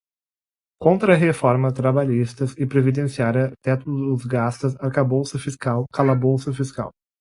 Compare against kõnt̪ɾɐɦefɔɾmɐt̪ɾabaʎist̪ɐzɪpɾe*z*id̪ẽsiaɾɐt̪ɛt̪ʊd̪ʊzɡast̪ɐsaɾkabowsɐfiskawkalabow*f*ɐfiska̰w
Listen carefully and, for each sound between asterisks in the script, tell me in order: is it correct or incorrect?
incorrect: v, incorrect: s

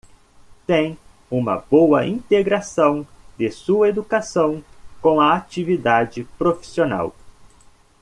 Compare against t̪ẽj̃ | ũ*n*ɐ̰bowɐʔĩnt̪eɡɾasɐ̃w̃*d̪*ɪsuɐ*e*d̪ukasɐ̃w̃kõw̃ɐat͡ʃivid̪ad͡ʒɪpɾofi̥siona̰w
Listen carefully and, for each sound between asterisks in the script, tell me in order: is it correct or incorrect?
incorrect: m, correct, correct

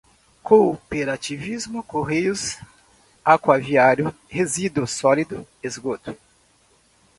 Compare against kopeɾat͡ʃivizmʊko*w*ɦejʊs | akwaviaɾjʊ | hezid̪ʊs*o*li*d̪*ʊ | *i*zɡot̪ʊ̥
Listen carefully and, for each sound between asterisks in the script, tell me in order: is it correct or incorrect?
incorrect: none, incorrect: ɔ, correct, incorrect: e

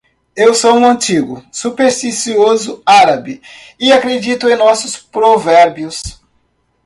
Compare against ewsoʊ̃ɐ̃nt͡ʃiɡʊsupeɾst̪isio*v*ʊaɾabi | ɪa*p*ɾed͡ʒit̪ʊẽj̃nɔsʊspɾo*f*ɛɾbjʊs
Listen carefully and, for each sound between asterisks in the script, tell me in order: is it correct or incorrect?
incorrect: z, incorrect: k, incorrect: v

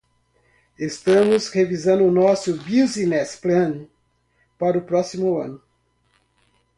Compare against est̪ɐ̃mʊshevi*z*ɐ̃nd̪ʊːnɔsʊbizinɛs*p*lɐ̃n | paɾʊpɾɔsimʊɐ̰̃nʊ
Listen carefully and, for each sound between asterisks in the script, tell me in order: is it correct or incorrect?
correct, correct

